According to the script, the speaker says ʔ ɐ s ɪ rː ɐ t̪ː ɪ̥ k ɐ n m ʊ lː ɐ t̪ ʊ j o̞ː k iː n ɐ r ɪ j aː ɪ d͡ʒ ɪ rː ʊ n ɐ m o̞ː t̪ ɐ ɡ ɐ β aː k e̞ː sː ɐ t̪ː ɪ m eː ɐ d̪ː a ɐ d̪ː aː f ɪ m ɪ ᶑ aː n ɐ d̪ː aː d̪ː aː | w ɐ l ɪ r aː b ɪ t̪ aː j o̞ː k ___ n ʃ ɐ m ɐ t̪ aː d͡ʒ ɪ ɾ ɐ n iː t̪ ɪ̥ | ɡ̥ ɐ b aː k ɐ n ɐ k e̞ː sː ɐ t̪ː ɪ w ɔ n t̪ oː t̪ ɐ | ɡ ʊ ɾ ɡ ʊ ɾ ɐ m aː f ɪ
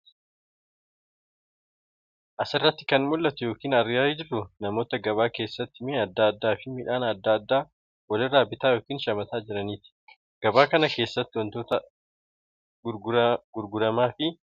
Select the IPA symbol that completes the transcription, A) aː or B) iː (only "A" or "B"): B